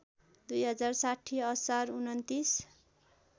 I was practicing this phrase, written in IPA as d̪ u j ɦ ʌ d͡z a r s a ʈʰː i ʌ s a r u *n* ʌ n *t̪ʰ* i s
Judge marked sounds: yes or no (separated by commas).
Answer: yes, no